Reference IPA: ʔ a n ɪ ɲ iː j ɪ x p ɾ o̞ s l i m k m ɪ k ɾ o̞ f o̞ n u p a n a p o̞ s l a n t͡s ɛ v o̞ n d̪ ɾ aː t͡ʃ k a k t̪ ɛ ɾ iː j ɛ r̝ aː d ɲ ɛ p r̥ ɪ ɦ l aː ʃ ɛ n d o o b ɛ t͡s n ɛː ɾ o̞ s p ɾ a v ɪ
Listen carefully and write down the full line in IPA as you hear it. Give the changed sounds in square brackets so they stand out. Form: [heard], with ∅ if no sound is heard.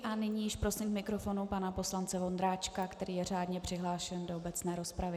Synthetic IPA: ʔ a n ɪ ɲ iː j ɪ [ʃ] p ɾ o̞ s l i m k m ɪ k ɾ o̞ f o̞ n u p a n a p o̞ s l a n t͡s ɛ v o̞ n d̪ ɾ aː t͡ʃ k a k t̪ ɛ ɾ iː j ɛ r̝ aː d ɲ ɛ p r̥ ɪ ɦ l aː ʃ ɛ n d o o b ɛ t͡s n ɛː ɾ o̞ s p ɾ a v ɪ